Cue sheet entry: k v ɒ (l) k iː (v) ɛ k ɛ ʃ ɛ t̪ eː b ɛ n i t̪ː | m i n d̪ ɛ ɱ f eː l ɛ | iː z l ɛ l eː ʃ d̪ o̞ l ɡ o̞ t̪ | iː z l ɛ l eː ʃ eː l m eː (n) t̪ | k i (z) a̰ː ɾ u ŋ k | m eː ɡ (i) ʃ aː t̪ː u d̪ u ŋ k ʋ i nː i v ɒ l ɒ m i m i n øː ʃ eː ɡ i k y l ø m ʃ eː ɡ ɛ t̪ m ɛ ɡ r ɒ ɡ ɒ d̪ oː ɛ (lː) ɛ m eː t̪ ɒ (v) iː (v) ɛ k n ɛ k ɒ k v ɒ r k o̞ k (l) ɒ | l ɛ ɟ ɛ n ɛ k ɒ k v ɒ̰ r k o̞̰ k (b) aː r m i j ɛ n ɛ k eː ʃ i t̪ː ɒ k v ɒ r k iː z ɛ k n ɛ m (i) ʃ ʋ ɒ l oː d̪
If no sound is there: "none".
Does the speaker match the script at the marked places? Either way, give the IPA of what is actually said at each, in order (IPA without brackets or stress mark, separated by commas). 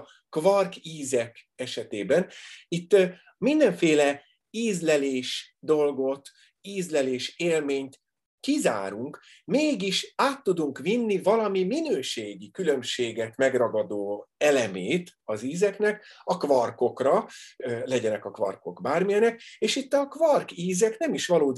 r, z, ɲ, z, i, l, z, z, r, b, i